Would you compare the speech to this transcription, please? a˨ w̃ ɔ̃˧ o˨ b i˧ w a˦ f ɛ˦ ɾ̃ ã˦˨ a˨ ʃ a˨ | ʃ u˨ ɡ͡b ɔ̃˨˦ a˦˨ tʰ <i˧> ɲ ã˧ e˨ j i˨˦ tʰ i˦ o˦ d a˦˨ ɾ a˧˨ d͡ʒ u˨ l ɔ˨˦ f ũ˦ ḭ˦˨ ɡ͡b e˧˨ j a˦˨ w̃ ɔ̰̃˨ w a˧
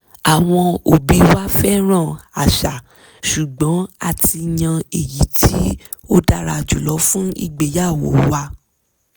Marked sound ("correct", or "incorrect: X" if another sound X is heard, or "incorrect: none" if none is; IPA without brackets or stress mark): correct